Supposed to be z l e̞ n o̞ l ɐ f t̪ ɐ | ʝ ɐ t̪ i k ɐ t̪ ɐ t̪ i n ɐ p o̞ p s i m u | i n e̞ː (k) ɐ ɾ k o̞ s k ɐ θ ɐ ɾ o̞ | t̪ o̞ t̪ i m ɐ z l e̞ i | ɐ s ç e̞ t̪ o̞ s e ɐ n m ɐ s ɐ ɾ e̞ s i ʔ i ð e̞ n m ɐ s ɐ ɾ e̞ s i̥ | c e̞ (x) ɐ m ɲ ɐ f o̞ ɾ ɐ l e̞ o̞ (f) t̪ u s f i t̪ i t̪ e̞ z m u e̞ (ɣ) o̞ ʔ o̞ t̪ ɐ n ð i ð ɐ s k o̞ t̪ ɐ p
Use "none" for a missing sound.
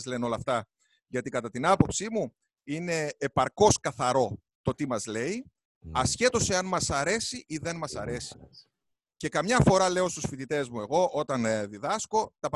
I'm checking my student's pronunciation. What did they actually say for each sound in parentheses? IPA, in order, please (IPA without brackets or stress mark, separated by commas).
p, k, s, ɣ